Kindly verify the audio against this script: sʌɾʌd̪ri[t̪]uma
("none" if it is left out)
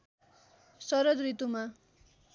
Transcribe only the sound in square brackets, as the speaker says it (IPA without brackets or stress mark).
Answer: t̪